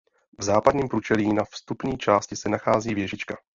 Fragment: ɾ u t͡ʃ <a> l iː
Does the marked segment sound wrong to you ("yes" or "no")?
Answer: yes